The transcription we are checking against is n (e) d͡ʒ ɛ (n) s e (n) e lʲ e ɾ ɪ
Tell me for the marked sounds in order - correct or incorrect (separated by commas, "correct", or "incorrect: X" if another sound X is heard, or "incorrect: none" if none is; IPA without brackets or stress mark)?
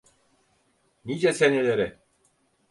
incorrect: i, incorrect: none, correct